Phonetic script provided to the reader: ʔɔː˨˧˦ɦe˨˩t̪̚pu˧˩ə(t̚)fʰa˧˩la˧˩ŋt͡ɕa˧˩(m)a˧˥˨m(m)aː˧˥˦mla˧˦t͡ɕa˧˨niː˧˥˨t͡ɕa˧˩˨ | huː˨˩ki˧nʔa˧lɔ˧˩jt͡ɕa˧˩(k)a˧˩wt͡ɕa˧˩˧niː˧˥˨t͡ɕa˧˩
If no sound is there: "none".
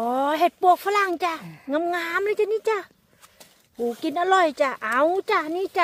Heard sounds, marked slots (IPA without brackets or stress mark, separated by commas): k̚, ŋ, ŋ, ʔ